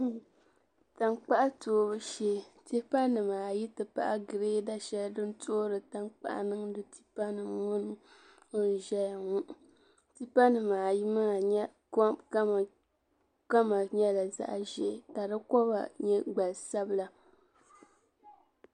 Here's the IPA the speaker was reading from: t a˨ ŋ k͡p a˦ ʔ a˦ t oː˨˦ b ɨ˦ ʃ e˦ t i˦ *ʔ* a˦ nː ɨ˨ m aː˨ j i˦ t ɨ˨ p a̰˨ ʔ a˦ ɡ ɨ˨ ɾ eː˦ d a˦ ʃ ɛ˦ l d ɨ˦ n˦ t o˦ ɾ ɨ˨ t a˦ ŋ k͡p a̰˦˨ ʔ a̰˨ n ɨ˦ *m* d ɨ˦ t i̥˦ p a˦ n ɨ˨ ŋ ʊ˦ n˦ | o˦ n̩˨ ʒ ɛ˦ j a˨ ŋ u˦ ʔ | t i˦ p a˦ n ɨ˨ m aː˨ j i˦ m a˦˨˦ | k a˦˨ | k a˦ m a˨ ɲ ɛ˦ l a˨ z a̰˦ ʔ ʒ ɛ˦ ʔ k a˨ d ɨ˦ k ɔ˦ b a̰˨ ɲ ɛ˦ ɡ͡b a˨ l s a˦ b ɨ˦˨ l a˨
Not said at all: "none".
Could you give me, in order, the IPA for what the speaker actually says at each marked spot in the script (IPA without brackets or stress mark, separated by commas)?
p, ŋ